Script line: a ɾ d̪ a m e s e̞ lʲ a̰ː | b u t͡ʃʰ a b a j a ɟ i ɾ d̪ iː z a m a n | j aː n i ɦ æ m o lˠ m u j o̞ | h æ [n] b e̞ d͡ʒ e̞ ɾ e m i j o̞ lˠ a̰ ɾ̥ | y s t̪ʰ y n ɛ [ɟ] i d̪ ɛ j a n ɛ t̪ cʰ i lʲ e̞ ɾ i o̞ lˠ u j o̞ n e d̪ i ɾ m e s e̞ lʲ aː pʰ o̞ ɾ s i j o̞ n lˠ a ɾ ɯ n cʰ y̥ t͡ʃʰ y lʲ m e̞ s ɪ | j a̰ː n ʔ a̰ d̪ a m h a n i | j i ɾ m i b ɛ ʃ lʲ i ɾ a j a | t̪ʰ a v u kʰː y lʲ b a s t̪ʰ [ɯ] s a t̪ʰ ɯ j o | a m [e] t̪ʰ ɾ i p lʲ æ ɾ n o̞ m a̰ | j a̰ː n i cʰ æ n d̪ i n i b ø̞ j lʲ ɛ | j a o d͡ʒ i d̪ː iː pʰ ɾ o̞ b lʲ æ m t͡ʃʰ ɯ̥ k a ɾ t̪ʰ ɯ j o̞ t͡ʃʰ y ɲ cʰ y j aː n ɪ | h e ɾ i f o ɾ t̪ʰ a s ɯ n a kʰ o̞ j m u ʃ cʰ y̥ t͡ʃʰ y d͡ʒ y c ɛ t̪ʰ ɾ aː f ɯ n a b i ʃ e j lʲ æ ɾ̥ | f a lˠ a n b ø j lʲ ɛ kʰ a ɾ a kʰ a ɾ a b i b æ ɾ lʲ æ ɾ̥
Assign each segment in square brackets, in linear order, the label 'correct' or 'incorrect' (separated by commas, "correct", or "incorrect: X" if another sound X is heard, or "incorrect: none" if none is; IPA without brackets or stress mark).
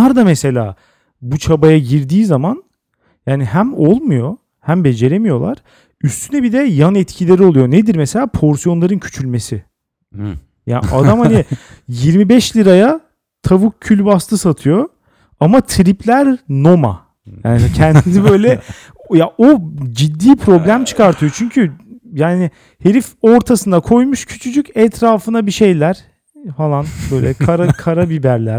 incorrect: m, incorrect: b, correct, incorrect: a